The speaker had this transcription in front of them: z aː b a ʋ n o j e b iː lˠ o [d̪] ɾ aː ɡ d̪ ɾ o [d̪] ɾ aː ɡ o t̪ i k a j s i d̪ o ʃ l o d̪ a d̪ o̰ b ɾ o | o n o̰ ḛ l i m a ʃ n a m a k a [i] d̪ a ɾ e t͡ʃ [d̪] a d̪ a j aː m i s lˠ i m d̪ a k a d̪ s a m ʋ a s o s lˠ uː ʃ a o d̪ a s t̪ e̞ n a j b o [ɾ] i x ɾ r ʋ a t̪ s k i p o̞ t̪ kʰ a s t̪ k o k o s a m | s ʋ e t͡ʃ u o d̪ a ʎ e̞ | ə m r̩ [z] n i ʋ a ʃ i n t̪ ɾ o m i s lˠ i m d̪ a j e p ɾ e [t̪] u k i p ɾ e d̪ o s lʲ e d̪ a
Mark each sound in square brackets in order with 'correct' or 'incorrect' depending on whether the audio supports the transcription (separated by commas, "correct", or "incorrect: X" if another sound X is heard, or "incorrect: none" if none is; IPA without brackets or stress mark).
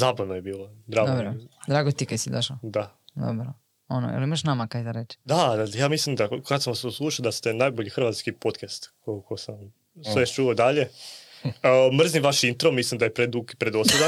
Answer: correct, correct, incorrect: j, correct, incorrect: ʎ, correct, incorrect: d̪